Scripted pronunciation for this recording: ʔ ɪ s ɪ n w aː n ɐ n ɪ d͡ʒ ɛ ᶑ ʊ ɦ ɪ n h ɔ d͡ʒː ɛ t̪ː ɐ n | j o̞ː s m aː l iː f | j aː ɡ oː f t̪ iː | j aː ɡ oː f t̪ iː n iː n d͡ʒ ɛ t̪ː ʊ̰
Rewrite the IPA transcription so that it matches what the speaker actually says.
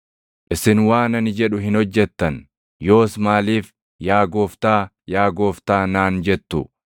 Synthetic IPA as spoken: ʔ ɪ s ɪ n w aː n ɐ n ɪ d͡ʒ ɛ ᶑ ʊ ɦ ɪ n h ɔ d͡ʒː ɛ t̪ː ɐ n | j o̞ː s m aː l iː f | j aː ɡ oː f t̪ aː | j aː ɡ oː f t̪ aː n aː n d͡ʒ ɛ t̪ː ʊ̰